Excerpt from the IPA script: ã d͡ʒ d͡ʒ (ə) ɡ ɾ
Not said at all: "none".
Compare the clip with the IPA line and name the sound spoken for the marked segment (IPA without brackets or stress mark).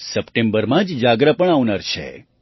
a